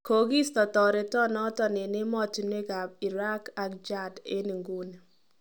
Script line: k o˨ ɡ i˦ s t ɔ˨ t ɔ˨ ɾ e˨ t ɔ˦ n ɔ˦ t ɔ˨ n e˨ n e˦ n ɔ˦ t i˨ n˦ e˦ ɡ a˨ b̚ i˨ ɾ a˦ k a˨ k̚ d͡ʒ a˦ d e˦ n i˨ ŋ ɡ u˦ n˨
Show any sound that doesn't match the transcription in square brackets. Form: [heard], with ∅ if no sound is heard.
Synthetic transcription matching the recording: k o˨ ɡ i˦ s t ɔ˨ t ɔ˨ ɾ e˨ t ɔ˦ n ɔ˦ t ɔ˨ n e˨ n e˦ [m] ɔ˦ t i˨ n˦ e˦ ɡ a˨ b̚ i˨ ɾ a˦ k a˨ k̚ d͡ʒ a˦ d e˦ n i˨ ŋ ɡ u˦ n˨